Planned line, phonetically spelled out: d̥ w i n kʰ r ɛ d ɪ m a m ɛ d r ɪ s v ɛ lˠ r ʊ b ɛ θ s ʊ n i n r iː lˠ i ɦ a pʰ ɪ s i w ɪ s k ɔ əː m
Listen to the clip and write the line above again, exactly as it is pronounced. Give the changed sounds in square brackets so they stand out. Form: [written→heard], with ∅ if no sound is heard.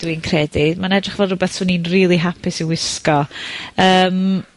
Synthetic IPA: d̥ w i n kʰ r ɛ d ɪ m a [m→n] ɛ d r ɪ [s→χ] v ɛ lˠ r ʊ b ɛ θ s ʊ n i n r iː lˠ i ɦ a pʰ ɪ s i w ɪ s k ɔ əː m